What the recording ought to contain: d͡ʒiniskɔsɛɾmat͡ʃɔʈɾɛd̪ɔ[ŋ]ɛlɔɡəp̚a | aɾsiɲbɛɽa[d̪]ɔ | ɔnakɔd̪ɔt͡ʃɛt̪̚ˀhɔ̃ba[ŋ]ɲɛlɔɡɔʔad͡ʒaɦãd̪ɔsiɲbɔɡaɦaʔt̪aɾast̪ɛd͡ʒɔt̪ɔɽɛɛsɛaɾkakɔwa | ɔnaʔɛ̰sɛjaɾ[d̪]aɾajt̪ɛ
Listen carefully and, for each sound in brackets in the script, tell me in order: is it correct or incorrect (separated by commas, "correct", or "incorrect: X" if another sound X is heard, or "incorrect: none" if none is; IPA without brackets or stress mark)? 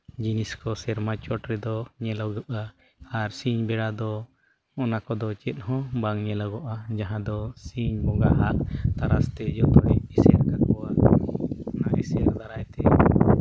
incorrect: ɲ, correct, correct, correct